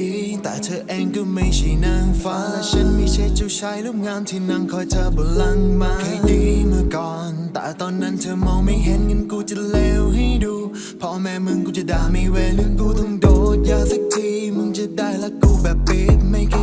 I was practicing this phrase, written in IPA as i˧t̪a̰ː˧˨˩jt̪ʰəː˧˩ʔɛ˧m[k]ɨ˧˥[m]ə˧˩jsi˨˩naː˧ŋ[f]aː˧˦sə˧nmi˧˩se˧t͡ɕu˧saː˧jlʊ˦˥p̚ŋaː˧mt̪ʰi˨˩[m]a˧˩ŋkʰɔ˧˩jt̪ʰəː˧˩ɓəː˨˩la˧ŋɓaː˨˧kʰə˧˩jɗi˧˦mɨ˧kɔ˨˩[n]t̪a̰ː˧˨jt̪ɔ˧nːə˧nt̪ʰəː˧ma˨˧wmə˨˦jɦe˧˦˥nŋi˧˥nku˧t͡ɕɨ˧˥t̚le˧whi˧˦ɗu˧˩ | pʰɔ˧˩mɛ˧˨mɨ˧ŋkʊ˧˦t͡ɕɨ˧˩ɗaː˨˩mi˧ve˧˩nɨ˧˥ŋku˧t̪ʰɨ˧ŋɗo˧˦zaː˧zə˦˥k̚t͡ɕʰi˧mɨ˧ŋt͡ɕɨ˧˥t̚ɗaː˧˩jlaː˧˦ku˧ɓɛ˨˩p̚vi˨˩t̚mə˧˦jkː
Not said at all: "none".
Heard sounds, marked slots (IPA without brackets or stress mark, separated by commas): k, m, f, n, n